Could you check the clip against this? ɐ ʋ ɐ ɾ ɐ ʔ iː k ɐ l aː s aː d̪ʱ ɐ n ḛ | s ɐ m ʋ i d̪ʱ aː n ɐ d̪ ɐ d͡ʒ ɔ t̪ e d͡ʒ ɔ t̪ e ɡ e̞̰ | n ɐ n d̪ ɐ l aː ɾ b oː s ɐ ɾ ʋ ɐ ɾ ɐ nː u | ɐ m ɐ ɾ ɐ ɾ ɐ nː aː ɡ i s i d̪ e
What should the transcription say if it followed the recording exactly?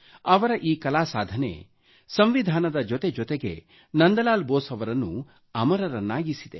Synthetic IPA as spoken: ɐ ʋ ɐ ɾ ɐ ʔ iː k ɐ l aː s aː d̪ʱ ɐ n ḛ | s ɐ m ʋ i d̪ʱ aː n ɐ d̪ ɐ d͡ʒ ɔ t̪ e d͡ʒ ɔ t̪ e ɡ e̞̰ | n ɐ n d̪ ɐ l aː l b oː s ɐ ʋ ɐ ɾ ɐ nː u | ɐ m ɐ ɾ ɐ ɾ ɐ nː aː ɡ i s i d̪ e